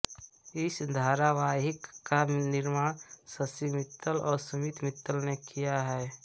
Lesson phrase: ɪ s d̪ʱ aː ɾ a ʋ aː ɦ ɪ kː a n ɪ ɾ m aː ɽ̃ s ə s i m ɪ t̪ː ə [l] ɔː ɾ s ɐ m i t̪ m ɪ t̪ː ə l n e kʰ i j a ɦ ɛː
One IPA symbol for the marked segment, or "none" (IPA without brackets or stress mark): l